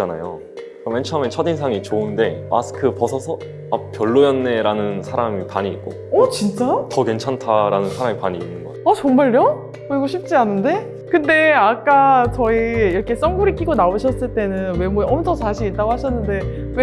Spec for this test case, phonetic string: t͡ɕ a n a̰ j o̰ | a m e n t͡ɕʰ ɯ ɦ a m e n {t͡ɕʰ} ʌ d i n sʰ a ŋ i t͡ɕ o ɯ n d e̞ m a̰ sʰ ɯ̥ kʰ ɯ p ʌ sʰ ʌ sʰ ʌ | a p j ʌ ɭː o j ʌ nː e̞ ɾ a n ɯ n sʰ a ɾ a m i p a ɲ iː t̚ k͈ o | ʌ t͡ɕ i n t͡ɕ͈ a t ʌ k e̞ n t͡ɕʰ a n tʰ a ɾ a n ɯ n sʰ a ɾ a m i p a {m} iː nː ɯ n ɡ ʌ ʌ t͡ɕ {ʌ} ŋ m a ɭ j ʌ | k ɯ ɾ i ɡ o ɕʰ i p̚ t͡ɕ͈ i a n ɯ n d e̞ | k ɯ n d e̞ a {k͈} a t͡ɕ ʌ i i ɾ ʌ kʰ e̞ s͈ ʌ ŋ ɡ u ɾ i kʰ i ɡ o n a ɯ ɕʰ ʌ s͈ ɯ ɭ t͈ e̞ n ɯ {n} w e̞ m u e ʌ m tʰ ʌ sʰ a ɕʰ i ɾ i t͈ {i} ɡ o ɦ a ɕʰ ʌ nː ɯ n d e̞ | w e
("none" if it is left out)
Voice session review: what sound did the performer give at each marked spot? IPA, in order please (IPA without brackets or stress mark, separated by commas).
t͡ɕʰ, ɲ, ʌ, k͈, n, a